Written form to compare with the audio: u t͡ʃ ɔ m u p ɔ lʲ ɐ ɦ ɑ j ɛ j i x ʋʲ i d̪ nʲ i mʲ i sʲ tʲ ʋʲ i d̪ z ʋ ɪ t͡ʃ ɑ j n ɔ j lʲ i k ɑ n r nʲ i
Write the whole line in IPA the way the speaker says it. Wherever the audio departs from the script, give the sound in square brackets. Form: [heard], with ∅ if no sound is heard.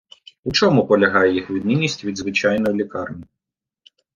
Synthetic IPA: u t͡ʃ ɔ m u p ɔ lʲ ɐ ɦ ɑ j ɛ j i x ʋʲ i d̪ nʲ i [nʲ] i sʲ tʲ ʋʲ i d̪ z ʋ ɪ t͡ʃ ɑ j n ɔ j lʲ i k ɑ [∅] r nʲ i